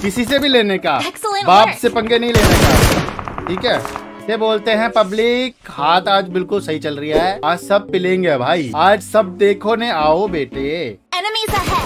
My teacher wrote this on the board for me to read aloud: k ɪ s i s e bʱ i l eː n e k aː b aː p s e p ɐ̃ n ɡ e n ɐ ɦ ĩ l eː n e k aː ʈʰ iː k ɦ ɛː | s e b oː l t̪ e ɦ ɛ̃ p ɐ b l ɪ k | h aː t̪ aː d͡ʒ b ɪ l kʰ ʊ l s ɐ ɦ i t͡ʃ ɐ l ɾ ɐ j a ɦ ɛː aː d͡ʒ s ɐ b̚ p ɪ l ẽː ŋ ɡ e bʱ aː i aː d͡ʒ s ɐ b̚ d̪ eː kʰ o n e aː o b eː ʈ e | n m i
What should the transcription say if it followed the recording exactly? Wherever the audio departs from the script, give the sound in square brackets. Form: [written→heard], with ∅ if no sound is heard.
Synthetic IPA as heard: k ɪ s i s e bʱ i l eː n e k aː b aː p s e p ɐ̃ [n→ŋ] ɡ e n ɐ ɦ ĩ l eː n e k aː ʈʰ iː k ɦ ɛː | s e b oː l t̪ e ɦ ɛ̃ p ɐ b l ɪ k | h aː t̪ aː d͡ʒ b ɪ l [kʰ→k] ʊ l s ɐ ɦ i t͡ʃ ɐ l ɾ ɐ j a ɦ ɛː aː d͡ʒ s ɐ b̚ p ɪ l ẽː ŋ ɡ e bʱ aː i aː d͡ʒ s ɐ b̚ d̪ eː kʰ o n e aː o b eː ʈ e | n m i